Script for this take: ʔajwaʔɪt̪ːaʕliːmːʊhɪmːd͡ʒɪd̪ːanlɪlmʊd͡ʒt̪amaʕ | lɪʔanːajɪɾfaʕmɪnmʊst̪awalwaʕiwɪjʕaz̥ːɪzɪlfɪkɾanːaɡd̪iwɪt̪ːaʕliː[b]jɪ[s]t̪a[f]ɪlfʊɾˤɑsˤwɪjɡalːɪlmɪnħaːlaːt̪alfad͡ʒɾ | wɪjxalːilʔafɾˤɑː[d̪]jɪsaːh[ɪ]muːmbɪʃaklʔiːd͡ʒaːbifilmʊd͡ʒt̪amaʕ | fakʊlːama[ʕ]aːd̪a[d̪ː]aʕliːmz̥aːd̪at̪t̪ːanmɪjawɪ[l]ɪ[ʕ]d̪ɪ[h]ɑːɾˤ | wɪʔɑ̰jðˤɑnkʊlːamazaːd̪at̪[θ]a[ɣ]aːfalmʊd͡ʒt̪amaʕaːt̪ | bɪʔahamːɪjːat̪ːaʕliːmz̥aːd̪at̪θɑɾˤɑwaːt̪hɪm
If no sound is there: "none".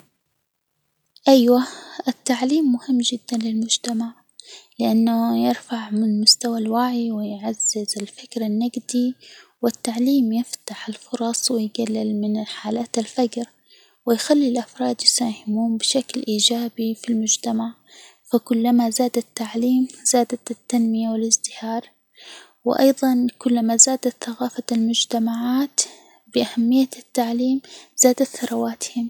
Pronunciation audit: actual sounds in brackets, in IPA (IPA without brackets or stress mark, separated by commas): m, f, ħ, d̪, ɪ, z, t̪ː, l, z, h, θ, ɣ